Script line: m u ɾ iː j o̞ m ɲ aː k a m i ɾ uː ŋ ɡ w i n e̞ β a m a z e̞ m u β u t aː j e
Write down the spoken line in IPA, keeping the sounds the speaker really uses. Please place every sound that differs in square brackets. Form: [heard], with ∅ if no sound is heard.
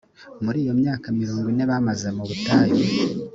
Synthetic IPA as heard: m u ɾ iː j o̞ m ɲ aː k a m i ɾ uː ŋ ɡ w i n e̞ β a m a z e̞ m u β u t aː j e

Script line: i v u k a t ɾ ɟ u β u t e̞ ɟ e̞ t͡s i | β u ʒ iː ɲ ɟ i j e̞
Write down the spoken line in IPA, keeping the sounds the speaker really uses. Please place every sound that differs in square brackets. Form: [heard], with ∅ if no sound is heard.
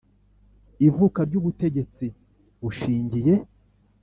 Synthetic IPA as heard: i v u k a [∅] ɾ ɟ u β u t e̞ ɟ e̞ t͡s i | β u [ʃ] iː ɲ ɟ i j e̞

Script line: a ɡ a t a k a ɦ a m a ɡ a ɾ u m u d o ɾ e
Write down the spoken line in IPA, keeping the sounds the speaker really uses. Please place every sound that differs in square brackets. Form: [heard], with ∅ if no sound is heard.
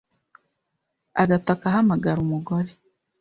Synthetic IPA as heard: a ɡ a t a k a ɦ a m a ɡ a ɾ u m u [ɡ] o ɾ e

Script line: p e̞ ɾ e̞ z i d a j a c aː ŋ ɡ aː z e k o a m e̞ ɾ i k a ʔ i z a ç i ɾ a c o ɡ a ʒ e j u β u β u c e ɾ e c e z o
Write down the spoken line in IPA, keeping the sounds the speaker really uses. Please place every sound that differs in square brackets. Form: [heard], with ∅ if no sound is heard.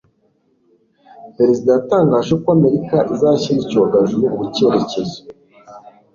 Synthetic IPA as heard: p e̞ ɾ e̞ z i d a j a [t] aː ŋ ɡ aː [ʒ] e k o a m e̞ ɾ i k a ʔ i z a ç i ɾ [i] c o ɡ a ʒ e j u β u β u c e ɾ e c e z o

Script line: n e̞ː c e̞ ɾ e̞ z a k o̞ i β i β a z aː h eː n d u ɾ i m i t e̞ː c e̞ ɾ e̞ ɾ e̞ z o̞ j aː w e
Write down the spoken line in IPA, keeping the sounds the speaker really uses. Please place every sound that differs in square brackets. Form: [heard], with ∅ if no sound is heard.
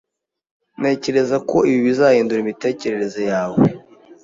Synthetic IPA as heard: n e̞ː c e̞ ɾ e̞ z a k o̞ i β i β [i] z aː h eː n d u ɾ i m i t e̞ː c e̞ ɾ e̞ ɾ e̞ z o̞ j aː w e

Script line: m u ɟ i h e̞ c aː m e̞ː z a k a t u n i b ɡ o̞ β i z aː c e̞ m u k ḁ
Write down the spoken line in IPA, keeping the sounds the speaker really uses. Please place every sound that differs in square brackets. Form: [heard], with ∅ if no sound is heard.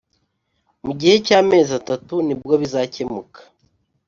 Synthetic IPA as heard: m u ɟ i h e̞ c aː m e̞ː z a [t] a t u n i b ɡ o̞ β i z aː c e̞ m u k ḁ

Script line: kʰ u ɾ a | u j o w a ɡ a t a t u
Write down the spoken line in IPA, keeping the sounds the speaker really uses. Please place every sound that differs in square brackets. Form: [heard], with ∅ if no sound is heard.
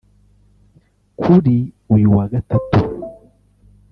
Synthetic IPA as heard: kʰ u ɾ [i] | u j [u] w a ɡ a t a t u

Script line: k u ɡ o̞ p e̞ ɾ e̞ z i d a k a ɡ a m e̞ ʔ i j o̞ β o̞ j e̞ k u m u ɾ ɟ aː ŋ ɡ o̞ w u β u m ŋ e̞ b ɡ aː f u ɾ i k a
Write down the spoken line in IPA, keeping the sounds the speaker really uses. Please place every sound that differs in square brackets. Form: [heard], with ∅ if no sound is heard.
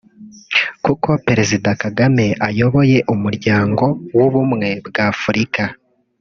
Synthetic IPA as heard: k u [k] o̞ p e̞ ɾ e̞ z i d a k a ɡ a m e̞ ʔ [a] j o̞ β o̞ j e̞ [ʔ] u m u ɾ ɟ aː ŋ ɡ o̞ w u β u m ŋ e̞ b ɡ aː f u ɾ i k a

